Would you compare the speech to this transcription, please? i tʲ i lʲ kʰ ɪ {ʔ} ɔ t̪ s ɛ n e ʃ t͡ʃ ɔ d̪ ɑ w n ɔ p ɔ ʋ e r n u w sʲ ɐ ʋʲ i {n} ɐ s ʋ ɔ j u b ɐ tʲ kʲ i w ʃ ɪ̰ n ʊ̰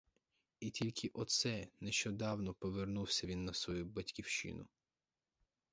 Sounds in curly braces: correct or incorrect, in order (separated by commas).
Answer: correct, incorrect